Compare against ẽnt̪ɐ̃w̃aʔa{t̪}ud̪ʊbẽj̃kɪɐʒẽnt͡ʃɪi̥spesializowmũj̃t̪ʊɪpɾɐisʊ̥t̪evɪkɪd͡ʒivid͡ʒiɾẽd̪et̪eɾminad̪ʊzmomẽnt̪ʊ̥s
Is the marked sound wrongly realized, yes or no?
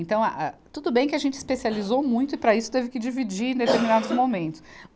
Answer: no